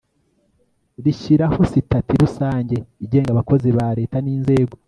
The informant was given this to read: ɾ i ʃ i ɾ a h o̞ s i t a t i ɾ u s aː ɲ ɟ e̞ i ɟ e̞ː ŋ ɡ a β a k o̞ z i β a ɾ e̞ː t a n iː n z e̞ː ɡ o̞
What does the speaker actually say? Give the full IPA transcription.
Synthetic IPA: ɾ i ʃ i ɾ a h o̞ s i t a t i ɾ u s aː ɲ ɟ e̞ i ɟ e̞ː ŋ ɡ a β a k o̞ z i β a ɾ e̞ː t a n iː n z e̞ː ɡ o̞